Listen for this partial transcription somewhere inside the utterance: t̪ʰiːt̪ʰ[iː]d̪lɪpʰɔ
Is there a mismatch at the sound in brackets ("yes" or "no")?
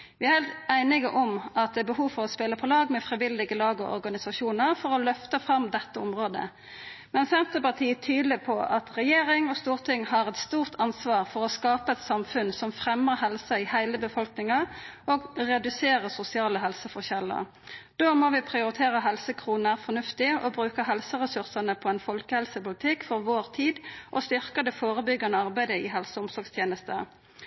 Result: yes